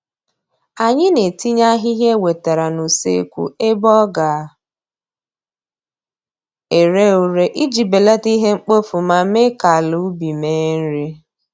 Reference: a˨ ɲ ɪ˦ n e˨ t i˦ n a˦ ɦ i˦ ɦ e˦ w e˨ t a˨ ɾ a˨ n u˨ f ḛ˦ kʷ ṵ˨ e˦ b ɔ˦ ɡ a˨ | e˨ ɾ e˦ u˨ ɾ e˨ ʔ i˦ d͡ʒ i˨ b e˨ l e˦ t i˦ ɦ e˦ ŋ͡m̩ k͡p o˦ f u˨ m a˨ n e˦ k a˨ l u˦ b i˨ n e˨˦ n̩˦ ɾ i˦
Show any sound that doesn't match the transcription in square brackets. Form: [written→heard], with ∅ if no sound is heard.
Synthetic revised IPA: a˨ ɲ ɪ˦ n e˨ t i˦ [n→ɲ] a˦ ɦ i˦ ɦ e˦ w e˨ t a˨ ɾ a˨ n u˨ [f→s] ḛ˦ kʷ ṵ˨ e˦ b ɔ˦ ɡ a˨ | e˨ ɾ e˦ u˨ ɾ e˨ ʔ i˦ d͡ʒ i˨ b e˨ l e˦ t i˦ ɦ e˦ ŋ͡m̩ k͡p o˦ f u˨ m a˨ [n→m] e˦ k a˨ l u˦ b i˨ [n→m] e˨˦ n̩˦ ɾ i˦